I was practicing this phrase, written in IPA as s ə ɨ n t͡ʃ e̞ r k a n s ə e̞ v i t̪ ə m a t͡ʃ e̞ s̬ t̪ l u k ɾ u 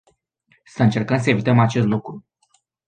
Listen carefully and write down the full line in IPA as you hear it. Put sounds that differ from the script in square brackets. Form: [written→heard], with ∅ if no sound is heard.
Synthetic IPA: s ə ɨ n t͡ʃ e̞ r k [a→ə] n s ə e̞ v i t̪ ə m a t͡ʃ e̞ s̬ t̪ l u k ɾ u